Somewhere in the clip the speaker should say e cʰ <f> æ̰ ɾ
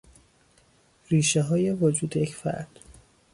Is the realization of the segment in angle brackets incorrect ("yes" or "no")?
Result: no